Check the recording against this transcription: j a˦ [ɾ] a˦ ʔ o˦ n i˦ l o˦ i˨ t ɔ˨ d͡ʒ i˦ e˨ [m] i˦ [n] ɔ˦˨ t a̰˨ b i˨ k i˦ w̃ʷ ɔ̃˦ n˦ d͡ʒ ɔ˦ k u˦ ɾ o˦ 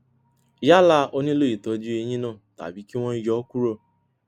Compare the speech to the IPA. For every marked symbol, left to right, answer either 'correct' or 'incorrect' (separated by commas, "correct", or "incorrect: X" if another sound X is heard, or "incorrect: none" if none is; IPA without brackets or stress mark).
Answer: incorrect: l, incorrect: ɲ, correct